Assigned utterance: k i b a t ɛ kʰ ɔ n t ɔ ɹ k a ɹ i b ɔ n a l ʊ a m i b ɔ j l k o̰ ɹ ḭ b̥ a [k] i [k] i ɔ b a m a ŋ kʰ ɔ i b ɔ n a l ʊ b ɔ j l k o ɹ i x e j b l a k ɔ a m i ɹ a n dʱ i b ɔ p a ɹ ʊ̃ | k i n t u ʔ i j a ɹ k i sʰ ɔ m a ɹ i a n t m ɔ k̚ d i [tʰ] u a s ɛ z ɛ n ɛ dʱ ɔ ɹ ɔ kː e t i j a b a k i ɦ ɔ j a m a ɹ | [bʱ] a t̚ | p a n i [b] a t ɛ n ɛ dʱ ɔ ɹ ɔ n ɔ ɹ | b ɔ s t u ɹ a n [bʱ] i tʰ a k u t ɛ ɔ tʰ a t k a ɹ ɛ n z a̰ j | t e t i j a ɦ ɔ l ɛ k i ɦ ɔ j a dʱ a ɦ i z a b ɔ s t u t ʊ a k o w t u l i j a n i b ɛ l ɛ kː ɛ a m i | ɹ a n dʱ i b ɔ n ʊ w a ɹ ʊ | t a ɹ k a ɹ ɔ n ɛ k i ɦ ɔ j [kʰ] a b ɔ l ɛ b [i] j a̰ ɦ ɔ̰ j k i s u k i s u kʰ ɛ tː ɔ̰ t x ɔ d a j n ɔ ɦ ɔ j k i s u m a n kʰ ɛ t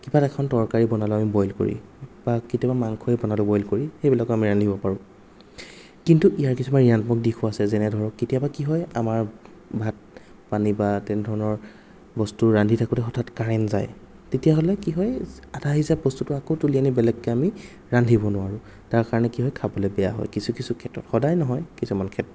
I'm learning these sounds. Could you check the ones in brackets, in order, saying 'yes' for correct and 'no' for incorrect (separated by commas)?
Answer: yes, no, no, yes, yes, no, yes, no